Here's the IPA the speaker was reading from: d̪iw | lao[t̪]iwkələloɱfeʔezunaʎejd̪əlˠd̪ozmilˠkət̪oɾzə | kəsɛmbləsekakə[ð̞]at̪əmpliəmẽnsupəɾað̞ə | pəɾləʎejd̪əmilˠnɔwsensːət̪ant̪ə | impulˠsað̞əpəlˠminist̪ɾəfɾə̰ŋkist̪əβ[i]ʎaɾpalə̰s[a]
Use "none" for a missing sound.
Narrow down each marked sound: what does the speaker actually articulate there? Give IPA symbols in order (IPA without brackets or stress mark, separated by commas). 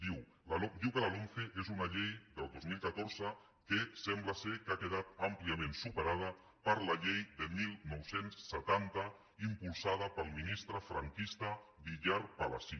d̪, ð̞, i, i